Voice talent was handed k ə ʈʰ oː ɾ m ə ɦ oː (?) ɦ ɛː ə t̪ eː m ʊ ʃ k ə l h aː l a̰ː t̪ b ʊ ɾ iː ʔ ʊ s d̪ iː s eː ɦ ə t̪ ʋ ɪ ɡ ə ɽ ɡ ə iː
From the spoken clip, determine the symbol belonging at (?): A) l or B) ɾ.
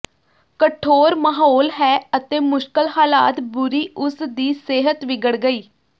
A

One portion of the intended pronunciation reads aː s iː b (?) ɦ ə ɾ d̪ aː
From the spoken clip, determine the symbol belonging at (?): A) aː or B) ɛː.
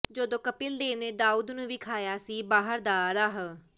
A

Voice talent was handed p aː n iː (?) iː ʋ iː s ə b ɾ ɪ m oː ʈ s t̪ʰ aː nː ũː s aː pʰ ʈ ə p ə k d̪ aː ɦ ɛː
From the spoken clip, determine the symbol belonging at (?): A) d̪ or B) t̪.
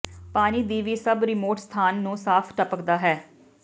A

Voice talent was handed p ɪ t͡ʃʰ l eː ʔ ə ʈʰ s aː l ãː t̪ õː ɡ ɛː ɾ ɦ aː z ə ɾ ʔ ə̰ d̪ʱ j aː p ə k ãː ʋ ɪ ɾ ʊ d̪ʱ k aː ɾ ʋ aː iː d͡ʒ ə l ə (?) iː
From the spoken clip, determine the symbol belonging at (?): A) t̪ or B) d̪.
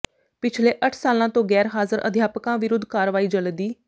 B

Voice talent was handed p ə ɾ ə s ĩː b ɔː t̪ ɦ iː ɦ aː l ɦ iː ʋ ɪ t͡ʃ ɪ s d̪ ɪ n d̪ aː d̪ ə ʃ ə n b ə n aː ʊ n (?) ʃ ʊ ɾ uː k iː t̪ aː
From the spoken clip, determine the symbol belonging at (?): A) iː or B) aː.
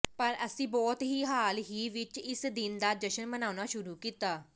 B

